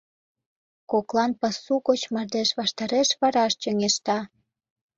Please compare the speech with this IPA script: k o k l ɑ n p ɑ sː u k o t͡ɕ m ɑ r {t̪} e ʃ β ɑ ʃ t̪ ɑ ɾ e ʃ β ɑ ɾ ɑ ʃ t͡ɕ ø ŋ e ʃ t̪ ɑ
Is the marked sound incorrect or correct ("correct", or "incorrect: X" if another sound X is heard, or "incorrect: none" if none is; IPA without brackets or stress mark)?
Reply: incorrect: d̪